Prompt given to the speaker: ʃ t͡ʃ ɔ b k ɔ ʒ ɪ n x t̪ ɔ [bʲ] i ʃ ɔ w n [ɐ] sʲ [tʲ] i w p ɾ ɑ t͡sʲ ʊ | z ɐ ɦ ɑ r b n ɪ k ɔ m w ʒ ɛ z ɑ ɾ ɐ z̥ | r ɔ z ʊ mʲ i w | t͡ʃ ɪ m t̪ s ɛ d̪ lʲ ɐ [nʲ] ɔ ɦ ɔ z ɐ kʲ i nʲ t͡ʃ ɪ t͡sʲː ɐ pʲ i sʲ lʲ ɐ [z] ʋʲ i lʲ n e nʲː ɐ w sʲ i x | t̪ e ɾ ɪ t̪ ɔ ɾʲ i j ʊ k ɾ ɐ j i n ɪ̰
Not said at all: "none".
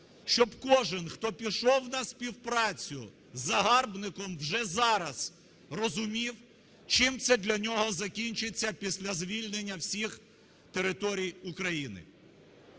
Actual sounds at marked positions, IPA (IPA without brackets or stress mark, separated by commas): pʲ, ɐ, pʲ, nʲ, z